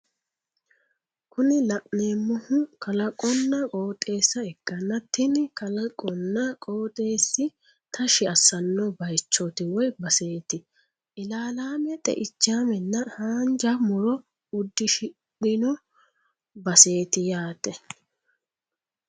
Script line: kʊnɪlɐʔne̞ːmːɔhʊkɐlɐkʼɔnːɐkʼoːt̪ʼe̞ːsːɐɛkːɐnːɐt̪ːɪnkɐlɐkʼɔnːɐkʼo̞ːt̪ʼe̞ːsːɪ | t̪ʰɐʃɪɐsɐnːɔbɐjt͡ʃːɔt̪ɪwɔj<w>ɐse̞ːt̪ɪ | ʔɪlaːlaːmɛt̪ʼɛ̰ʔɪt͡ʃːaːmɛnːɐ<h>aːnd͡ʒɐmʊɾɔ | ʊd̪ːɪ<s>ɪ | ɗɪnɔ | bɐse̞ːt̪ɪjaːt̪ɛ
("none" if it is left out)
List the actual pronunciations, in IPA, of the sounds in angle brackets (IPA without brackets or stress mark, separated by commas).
b, h, ʃ